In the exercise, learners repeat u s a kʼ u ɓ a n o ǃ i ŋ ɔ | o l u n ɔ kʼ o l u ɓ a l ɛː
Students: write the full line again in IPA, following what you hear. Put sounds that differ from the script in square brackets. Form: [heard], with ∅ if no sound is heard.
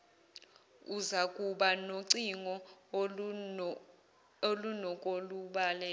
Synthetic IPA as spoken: u [z] a kʼ u ɓ a n o [ǀ] i ŋ ɔ | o l u n ɔ kʼ o l u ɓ a l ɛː